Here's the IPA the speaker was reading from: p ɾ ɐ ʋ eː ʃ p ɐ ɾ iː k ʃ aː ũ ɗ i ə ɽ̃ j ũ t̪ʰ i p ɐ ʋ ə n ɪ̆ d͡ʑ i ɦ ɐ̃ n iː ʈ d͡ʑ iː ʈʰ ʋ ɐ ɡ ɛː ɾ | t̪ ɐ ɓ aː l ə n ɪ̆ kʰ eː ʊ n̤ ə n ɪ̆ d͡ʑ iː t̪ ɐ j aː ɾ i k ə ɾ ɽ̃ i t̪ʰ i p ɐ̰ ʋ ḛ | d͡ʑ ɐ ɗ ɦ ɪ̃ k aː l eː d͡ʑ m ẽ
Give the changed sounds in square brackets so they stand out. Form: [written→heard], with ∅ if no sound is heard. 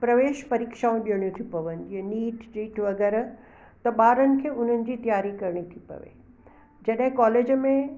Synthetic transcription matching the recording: p ɾ ɐ ʋ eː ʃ p ɐ ɾ iː k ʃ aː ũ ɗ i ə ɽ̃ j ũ t̪ʰ i p ɐ ʋ ə n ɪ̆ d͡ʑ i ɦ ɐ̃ n iː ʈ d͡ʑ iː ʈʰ ʋ ɐ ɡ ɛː ɾ | t̪ ɐ ɓ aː [l→ɾ] ə n ɪ̆ kʰ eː ʊ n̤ ə n ɪ̆ d͡ʑ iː t̪ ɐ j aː ɾ i k [ə→ɐ] ɾ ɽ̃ i t̪ʰ i p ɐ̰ ʋ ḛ | d͡ʑ ɐ ɗ ɦ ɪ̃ k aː l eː d͡ʑ m ẽ